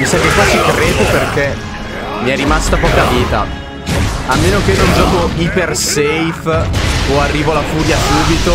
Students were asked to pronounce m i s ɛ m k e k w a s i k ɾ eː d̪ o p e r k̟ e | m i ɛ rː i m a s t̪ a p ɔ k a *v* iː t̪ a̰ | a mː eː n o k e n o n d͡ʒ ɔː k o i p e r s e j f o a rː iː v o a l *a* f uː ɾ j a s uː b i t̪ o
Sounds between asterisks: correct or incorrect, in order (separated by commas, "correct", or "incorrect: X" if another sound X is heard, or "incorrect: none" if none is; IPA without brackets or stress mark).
correct, correct